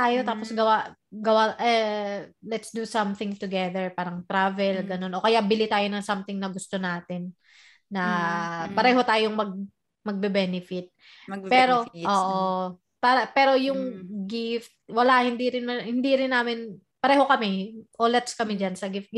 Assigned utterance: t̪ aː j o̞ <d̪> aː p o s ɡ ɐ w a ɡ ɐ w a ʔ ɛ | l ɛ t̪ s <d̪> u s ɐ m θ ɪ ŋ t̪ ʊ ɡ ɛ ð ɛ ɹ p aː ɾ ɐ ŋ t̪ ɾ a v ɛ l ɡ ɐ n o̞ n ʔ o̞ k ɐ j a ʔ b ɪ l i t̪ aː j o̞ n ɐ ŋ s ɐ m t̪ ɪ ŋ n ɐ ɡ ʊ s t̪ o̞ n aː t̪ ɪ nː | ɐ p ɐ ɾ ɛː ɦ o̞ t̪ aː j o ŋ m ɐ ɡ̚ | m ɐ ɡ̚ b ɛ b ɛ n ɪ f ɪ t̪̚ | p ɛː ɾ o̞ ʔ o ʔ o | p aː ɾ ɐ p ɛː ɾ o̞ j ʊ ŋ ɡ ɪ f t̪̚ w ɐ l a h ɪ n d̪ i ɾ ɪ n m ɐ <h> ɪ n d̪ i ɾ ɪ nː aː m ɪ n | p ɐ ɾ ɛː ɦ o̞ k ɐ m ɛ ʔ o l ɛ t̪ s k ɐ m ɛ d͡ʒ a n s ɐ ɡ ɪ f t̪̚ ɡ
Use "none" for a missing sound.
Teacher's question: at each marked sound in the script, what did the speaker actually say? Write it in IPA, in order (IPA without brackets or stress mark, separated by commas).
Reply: t̪, d̪, h